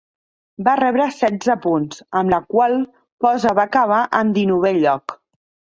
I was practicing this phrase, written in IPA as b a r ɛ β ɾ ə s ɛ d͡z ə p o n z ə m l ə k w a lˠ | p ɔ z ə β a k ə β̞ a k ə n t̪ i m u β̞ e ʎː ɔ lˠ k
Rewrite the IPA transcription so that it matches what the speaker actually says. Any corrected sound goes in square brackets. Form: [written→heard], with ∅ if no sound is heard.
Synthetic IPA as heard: b a r ɛ β ɾ ə s ɛ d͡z ə p [o→u] n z ə m l ə k w a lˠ | p ɔ z ə β a k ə β̞ a [k→ʔ] ə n [t̪→d̪] i [m→n] u β̞ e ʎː ɔ [lˠ→∅] k